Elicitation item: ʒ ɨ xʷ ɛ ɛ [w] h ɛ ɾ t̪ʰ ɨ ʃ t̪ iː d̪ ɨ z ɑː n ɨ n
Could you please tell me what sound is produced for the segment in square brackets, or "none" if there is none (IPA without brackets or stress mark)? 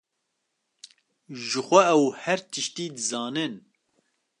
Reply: w